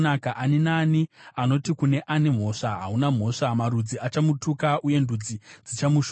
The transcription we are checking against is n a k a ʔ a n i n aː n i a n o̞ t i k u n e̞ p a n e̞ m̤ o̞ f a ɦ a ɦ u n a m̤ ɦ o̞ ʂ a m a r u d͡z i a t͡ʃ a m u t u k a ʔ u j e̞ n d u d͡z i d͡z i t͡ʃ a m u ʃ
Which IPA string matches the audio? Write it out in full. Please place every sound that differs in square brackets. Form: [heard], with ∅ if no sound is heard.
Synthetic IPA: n a k a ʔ a n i n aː n i a n o̞ t i k u n e̞ [ʔ] a n e̞ m̤ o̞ [ʂ] a ɦ a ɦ u n a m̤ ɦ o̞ ʂ a m a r u d͡z i a t͡ʃ a m u t u k a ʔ u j e̞ n d u d͡z i d͡z i t͡ʃ a m u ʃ